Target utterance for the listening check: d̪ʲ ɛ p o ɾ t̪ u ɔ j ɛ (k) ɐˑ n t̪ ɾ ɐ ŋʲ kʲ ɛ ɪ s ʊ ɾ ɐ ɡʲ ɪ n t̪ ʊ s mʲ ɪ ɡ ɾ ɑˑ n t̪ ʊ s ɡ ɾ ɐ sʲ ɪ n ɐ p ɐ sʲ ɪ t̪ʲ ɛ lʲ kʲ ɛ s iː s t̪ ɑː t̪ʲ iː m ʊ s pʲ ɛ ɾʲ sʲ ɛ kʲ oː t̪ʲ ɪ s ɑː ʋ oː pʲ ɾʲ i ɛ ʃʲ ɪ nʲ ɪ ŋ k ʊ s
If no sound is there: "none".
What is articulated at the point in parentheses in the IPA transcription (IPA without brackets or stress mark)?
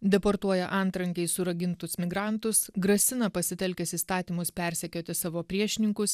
ʔ